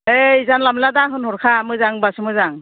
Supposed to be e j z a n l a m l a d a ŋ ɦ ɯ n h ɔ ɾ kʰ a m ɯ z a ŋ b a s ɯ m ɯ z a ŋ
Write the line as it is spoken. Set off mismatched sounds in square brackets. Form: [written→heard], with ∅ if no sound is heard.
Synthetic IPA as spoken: e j z a n l a m l a d a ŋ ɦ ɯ n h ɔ ɾ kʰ a m ɯ z a ŋ b a s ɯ m ɯ z a ŋ